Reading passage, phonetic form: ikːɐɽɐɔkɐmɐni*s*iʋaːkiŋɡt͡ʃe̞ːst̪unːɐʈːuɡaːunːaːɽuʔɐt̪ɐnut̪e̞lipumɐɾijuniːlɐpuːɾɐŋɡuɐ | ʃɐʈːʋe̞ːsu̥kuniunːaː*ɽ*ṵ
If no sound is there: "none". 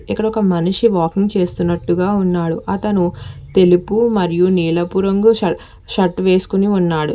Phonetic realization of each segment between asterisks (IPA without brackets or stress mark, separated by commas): ʂ, ɽ